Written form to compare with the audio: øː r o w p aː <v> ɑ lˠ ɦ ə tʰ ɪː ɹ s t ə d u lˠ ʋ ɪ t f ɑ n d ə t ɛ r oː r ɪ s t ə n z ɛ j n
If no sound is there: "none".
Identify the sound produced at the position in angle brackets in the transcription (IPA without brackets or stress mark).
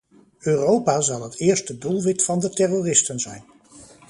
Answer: z